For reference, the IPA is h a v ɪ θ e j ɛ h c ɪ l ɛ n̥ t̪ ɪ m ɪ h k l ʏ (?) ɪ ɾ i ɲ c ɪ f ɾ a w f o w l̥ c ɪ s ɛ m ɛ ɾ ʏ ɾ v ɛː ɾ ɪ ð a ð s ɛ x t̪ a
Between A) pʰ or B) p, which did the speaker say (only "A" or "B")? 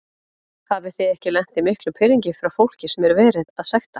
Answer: A